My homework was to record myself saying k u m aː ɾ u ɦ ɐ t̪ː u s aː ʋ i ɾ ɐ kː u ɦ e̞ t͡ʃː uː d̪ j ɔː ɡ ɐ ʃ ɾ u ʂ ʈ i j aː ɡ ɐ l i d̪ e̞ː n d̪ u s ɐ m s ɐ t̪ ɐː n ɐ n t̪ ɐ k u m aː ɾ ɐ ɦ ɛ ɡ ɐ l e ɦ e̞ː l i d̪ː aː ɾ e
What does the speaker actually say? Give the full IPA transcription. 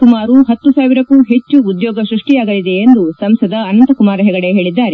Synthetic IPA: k u m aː ɾ u ɦ ɐ t̪ː u s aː ʋ i ɾ ɐ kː u ɦ e̞ t͡ʃː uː d̪ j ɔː ɡ ɐ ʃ ɾ u ʂ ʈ i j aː ɡ ɐ l i d̪ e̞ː n d̪ u s ɐ m s ɐ d̪ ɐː n ɐ n t̪ ɐ k u m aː ɾ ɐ ɦ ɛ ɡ ɐ ɽ e ɦ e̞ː ɭ i d̪ː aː ɾ e